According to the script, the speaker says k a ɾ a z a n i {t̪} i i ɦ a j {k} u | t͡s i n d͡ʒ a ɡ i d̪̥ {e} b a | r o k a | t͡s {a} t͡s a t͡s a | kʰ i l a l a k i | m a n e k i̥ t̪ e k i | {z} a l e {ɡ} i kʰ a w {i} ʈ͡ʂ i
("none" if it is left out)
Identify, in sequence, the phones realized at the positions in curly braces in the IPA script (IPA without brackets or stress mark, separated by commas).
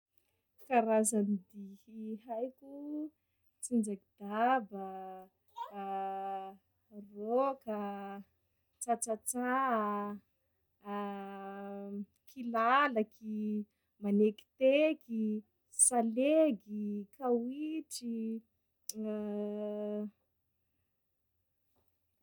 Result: d̪, k, a, a, s, ɡ, i